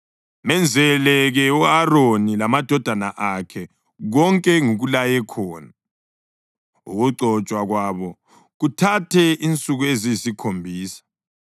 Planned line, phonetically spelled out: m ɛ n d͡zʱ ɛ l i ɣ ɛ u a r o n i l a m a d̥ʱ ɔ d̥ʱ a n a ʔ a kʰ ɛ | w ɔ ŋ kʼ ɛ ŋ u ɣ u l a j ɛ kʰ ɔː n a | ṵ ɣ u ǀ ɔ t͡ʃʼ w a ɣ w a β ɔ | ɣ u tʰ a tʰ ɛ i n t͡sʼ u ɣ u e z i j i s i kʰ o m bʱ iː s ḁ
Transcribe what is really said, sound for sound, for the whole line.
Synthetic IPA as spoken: m ɛ n d͡zʱ ɛ l ɛ ɣ ɛ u a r o n i l a m a d̥ʱ ɔ d̥ʱ a n a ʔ a kʰ ɛ | ɣ ɔ ŋ kʼ ɛ ŋ u ɣ u l a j ɛ kʰ ɔː n a | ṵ ɣ u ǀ ɔ t͡ʃʼ w a ɣ w a β ɔ | ɣ u tʰ a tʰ ɛ i n t͡sʼ u ɣ u e z i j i s i kʰ o m bʱ iː s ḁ

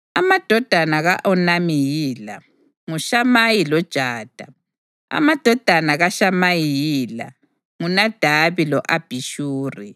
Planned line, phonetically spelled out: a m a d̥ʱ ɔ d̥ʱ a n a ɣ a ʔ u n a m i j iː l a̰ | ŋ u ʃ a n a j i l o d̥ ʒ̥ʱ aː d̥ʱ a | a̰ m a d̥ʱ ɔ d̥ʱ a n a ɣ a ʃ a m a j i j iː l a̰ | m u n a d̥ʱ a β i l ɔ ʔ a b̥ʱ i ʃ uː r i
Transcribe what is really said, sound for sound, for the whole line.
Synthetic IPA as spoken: a m a d̥ʱ ɔ d̥ʱ a n a ɣ a ʔ ɔ n a m i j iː l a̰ | ŋ u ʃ a m a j i l ɔ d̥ ʒ̥ʱ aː d̥ʱ a | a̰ m a d̥ʱ ɔ d̥ʱ a n a ɣ a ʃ a m a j i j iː l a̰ | ŋ u n a d̥ʱ a β i l ɔ ʔ a b̥ʱ i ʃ uː r i

